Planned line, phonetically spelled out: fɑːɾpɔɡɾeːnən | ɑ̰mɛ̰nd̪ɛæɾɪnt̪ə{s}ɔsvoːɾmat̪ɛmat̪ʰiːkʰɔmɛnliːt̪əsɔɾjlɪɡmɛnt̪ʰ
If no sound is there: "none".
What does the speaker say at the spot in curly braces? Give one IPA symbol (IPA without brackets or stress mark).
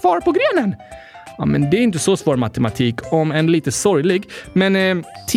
s